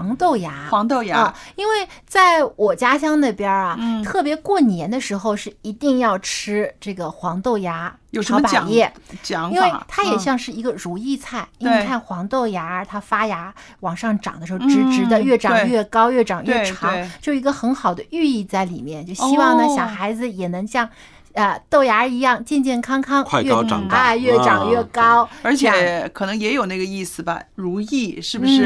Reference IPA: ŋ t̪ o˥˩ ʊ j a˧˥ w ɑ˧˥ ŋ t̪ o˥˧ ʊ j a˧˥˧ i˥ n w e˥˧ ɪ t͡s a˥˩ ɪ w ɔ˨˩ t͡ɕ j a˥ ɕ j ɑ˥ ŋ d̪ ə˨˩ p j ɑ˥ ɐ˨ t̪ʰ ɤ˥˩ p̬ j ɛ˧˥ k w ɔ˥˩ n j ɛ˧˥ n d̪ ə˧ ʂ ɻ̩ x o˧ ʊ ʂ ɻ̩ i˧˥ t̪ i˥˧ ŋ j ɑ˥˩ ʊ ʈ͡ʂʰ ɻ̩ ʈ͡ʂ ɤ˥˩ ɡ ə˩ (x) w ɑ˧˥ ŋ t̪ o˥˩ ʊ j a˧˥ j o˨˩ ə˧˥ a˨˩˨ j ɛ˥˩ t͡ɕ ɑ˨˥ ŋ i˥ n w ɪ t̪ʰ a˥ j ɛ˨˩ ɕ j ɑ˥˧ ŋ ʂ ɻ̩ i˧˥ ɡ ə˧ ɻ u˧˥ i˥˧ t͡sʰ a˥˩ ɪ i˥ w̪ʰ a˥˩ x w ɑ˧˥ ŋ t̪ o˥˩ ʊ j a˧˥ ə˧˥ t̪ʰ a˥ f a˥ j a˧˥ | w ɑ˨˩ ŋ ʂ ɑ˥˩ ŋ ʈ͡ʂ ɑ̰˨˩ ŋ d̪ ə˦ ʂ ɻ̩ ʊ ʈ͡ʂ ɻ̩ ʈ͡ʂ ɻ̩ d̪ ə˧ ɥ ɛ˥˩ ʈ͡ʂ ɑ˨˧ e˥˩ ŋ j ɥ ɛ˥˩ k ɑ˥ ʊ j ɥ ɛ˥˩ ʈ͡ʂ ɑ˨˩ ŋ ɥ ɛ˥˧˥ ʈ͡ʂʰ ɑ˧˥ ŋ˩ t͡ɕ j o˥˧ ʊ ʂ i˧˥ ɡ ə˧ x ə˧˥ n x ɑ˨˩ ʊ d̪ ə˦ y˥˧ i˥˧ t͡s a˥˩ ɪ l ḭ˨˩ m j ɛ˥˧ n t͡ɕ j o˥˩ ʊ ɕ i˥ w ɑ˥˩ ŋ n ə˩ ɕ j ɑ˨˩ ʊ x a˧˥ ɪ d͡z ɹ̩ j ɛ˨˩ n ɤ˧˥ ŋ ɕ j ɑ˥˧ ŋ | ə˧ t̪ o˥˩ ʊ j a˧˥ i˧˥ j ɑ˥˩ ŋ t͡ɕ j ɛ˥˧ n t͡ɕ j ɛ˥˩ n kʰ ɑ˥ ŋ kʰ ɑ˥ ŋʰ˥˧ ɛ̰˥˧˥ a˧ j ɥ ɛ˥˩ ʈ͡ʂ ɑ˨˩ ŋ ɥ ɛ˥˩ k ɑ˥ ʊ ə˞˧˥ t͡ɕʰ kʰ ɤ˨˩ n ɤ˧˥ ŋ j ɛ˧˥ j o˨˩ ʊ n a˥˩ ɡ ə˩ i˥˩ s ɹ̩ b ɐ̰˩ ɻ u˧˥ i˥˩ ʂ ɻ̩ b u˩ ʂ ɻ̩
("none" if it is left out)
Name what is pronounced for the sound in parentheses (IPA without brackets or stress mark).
x